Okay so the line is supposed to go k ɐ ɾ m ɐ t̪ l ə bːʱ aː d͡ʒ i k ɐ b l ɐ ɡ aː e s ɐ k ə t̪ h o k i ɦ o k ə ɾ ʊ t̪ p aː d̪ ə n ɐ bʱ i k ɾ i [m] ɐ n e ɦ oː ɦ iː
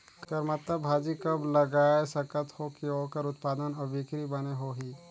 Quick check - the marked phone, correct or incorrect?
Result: incorrect